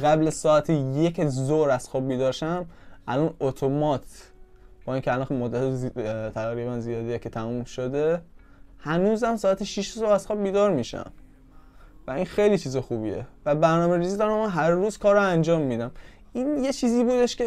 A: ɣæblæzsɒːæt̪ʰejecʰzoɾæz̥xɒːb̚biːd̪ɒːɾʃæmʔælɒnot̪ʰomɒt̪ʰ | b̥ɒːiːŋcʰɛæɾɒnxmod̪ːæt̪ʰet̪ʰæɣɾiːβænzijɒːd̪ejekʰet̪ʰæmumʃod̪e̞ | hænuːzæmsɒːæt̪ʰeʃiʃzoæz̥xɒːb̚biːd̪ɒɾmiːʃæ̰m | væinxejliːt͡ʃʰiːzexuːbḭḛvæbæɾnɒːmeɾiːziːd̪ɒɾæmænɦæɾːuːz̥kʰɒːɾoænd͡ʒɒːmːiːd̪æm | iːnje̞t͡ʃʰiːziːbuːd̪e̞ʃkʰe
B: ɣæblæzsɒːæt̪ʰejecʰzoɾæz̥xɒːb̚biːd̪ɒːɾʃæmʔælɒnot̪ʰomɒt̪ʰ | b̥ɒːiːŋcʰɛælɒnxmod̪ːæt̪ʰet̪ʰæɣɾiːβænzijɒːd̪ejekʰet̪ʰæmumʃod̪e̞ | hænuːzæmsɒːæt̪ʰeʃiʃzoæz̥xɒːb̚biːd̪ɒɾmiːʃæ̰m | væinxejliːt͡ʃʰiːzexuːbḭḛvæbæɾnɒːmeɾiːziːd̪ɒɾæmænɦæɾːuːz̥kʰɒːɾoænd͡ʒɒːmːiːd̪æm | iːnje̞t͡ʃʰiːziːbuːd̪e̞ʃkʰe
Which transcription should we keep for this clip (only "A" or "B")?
B